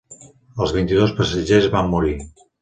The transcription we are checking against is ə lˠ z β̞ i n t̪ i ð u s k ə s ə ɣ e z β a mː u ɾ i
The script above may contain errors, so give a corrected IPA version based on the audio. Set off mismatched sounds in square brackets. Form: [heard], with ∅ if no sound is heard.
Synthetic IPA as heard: ə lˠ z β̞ i n t̪ i ð [o] s [p] ə s ə [ʒ] e z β a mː u ɾ i